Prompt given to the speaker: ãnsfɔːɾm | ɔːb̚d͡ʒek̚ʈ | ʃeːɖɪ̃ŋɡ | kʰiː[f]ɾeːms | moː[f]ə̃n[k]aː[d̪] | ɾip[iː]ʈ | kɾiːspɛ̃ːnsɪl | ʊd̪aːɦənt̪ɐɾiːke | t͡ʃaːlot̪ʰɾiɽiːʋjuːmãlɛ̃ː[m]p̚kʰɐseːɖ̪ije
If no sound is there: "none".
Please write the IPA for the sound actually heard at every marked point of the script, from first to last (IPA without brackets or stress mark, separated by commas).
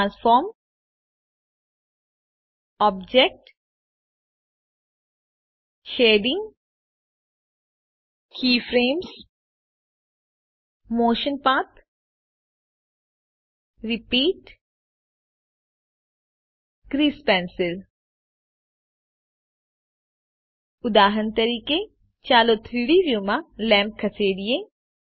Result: f, ʃ, p, t̪, iː, m